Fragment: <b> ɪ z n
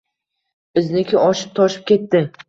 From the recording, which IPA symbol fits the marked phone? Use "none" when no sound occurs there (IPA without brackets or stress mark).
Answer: b